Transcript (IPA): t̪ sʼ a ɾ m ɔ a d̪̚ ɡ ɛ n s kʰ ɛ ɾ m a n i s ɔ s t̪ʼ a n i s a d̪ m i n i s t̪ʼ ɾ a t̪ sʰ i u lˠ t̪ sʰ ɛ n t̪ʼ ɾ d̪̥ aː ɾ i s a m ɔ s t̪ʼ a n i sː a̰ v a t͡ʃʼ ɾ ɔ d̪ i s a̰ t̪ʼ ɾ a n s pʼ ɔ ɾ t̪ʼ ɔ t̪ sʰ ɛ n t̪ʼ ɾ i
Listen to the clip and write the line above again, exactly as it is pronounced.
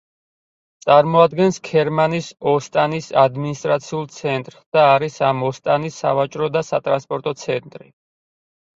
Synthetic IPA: t̪ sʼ a ɾ m ɔ a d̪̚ ɡ ɛ n s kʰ ɛ ɾ m a n i s ɔ s t̪ʼ a n i s a d̪ m i n i s t̪ʼ ɾ a t̪ sʰ i u lˠ t̪ sʰ ɛ n t̪ʼ ɾ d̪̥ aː ɾ i s a m ɔ s t̪ʼ a n i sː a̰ v a t͡ʃʼ ɾ ɔ d̪ a s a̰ t̪ʼ ɾ a n s pʼ ɔ ɾ t̪ʼ ɔ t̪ sʰ ɛ n t̪ʼ ɾ i